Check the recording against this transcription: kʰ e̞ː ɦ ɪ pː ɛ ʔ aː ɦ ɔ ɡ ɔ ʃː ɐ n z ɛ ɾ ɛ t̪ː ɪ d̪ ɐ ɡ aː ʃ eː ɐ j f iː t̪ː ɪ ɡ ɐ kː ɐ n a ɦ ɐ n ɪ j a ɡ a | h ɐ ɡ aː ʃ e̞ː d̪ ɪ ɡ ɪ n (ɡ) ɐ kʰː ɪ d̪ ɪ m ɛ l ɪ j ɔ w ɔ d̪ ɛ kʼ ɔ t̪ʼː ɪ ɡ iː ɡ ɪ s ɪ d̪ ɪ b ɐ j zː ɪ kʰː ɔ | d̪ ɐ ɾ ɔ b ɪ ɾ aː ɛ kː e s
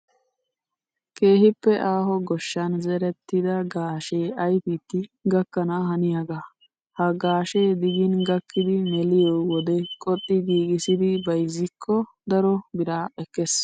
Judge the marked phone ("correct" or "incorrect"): correct